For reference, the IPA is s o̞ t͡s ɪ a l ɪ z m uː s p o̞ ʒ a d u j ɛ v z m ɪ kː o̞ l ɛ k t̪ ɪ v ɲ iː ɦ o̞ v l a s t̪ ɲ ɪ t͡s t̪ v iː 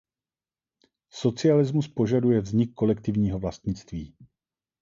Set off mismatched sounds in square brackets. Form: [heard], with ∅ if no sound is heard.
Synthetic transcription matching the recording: s o̞ t͡s ɪ a l ɪ z m [u] s p o̞ ʒ a d u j ɛ v z [ɲ] ɪ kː o̞ l ɛ k t̪ ɪ v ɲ iː ɦ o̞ v l a s t̪ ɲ ɪ t͡s t̪ v iː